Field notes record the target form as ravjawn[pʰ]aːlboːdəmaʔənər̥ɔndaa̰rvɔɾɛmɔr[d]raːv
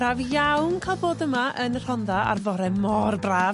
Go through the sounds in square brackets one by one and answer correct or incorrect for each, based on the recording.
incorrect, incorrect

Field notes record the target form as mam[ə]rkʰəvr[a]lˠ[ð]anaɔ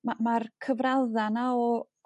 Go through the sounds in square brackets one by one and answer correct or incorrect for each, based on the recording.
incorrect, correct, correct

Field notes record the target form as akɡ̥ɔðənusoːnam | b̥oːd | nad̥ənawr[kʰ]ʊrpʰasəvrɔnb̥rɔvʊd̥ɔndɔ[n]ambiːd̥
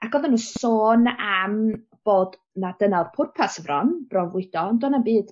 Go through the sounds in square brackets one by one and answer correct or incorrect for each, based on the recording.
incorrect, correct

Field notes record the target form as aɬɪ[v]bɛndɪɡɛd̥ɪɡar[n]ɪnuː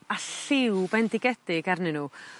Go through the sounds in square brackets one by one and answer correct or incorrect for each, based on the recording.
incorrect, correct

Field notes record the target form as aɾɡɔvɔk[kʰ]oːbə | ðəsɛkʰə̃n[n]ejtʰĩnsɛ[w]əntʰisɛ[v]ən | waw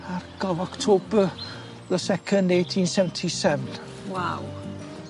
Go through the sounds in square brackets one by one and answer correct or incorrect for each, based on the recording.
incorrect, incorrect, incorrect, correct

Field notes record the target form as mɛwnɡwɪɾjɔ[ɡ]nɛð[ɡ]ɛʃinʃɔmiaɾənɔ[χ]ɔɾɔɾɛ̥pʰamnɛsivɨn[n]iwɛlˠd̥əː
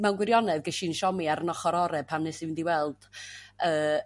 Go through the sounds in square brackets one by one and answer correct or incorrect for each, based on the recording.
incorrect, correct, correct, incorrect

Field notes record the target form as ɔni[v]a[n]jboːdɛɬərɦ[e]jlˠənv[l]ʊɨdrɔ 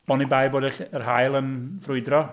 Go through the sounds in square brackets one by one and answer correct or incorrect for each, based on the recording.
incorrect, incorrect, incorrect, incorrect

